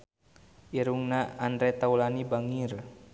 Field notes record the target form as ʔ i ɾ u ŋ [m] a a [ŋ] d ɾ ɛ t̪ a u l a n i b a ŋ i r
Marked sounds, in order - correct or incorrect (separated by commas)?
incorrect, incorrect